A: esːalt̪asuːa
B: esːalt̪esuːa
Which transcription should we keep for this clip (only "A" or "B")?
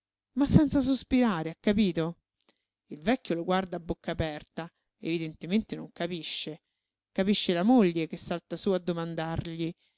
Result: A